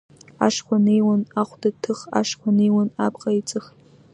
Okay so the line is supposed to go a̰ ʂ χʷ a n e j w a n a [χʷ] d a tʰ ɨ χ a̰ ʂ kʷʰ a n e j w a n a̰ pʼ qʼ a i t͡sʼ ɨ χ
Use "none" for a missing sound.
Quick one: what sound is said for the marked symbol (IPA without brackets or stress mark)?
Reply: χʷ